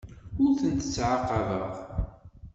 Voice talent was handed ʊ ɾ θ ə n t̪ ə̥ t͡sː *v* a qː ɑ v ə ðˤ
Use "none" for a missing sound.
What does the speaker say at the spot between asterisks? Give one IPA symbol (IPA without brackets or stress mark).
ʕ